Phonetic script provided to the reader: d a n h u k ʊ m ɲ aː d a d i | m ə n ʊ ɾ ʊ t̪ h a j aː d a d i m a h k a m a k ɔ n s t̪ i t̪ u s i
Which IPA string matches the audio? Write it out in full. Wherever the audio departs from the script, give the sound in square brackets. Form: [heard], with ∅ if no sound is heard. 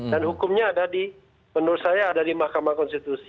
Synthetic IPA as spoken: d a n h u k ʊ m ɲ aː d a d i | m ə n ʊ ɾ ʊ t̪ [s] a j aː d a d i m a h k a m a k ɔ n s t̪ i t̪ u s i

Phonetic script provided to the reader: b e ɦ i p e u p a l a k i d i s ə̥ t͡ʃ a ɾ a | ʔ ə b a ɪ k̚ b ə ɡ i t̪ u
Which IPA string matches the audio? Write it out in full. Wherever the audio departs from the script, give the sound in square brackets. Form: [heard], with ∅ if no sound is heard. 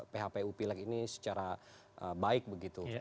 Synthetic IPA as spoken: [p] e ɦ [a] p e u p [i] l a k i [n] i s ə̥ t͡ʃ a ɾ a | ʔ ə b a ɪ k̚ b ə ɡ i t̪ u

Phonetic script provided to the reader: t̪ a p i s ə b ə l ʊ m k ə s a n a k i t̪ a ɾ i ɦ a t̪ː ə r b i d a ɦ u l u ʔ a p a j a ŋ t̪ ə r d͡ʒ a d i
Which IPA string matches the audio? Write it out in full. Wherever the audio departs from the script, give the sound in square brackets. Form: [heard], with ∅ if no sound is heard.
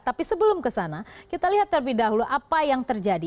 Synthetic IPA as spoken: t̪ a p i s ə b ə l ʊ m k ə s a n a k i t̪ a [l] i ɦ a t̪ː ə r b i d a ɦ u l u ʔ a p a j a ŋ t̪ ə r d͡ʒ a d i

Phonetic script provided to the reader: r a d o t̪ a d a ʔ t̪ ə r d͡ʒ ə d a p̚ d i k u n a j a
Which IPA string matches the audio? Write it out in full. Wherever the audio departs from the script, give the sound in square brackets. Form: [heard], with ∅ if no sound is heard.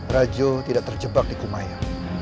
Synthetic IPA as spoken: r a [d͡ʒ] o t̪ [i] d a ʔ t̪ ə r d͡ʒ ə [b] a [k̚] d i k u [m] a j a

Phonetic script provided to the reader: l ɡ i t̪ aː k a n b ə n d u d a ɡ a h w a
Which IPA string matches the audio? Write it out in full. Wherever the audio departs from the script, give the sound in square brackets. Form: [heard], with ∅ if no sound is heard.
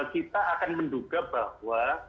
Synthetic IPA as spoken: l [k] i t̪ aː k a n [m] ə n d u [ɡ] a [b] a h w a

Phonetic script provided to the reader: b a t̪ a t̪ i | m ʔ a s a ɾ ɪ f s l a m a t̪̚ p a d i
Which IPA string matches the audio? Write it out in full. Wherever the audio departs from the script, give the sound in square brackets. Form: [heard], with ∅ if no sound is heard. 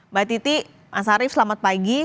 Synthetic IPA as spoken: b a t̪ [i] t̪ i | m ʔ a s a ɾ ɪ f s l a m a t̪̚ p a [ɡ] i

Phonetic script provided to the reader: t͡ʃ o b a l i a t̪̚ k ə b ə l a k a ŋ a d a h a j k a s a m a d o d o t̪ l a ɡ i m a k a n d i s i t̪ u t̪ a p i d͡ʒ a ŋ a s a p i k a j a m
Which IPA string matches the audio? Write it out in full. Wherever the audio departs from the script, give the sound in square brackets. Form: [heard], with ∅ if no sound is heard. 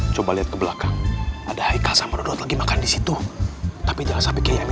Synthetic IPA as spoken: t͡ʃ o b a l i a t̪̚ k ə b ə l a k a ŋ a d a h a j k a s a m a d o d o t̪ l a ɡ i m a k a n d i s i t̪ u t̪ a p i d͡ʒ a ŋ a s a p i k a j a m

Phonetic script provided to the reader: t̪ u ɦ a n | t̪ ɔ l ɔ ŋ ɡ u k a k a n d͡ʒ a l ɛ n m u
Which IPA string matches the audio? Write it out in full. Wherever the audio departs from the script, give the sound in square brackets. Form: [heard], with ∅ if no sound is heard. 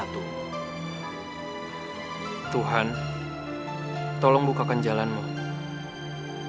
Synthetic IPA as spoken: t̪ u ɦ a n | t̪ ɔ l ɔ ŋ [b] u k a k a n d͡ʒ a l [a] n m u

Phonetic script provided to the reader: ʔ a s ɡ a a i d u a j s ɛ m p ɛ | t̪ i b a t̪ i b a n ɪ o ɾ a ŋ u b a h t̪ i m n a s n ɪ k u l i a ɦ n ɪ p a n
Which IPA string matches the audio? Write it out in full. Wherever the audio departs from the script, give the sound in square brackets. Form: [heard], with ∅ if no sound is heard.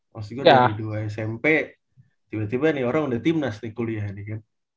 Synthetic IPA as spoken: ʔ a s ɡ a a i d u a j s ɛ m p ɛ | t̪ i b a t̪ i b a n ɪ o ɾ a ŋ u [d] a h t̪ i m n a s n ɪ k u l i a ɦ n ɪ [k] a n

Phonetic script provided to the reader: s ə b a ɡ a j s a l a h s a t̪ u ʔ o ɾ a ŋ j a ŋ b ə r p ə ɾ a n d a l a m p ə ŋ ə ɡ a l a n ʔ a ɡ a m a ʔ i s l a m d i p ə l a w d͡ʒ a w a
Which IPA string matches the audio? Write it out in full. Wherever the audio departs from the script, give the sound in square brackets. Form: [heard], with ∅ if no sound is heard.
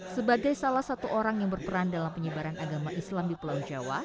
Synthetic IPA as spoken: s ə b a ɡ a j s a l a h s a t̪ u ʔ o ɾ a ŋ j a ŋ b ə r p ə ɾ a n d a l a m p ə [ɲ] ə [b] a [ɾ] a n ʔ a ɡ a m a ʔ i s l a m d i p ə l a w d͡ʒ a w a

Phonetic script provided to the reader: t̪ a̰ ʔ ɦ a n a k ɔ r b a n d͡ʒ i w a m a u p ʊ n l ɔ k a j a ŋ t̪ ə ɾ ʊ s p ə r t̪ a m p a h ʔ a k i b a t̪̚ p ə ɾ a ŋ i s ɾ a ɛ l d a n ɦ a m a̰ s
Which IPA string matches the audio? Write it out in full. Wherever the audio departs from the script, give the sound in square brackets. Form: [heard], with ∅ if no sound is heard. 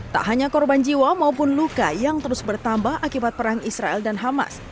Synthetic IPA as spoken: t̪ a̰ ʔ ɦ a [ɲ] a k ɔ r b a n d͡ʒ i w a m a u p ʊ n l [u] k a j a ŋ t̪ ə ɾ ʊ s [b] ə r t̪ a m [b] a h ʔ a k i b a t̪̚ p ə ɾ a ŋ i s ɾ a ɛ l d a n ɦ a m a̰ s

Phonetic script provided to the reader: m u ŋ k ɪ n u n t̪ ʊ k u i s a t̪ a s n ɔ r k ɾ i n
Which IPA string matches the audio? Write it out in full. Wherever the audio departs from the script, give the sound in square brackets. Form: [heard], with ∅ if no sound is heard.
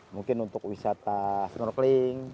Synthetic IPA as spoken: m u ŋ k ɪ n u n t̪ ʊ k [w] i s a t̪ a s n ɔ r k [l] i [ŋ]

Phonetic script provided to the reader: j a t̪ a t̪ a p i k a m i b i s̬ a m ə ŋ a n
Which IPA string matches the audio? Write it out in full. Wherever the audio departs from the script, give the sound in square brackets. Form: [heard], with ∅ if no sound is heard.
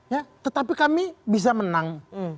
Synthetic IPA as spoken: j a t̪ [ə] t̪ a p i k a m i b i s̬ a m ə [n] a [ŋ]

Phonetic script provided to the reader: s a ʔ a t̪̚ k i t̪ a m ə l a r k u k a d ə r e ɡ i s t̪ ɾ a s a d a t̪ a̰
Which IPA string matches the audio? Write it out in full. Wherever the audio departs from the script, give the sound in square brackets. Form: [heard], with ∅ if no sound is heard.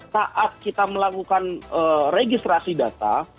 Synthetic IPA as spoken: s a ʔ a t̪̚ k i t̪ a m ə l a [∅] k u k a [n] ə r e ɡ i s t̪ ɾ a s [i] d a t̪ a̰

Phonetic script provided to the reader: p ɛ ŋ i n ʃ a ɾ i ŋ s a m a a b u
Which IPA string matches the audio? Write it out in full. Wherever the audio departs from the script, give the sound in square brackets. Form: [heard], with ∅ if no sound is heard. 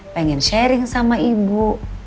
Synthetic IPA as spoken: p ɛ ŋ [ɛ] n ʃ [ɛ] ɾ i ŋ s a m a [i] b u

